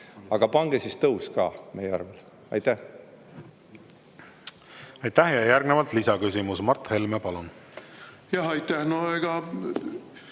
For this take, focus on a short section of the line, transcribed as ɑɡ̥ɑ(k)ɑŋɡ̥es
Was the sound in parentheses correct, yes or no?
no